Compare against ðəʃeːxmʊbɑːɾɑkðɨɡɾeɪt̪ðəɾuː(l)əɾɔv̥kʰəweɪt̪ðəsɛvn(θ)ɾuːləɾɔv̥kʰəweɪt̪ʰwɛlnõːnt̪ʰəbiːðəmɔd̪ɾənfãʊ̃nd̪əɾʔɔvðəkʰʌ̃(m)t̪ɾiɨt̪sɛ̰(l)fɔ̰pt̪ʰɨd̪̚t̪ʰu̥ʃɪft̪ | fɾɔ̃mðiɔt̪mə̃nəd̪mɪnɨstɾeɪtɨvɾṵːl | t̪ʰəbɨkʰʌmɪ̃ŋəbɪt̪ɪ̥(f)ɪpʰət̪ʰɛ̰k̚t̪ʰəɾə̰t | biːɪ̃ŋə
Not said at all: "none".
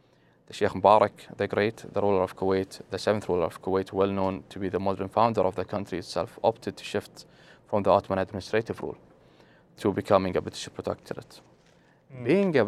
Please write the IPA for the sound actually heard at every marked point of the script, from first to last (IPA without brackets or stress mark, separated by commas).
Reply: l, θ, n, l, ʃ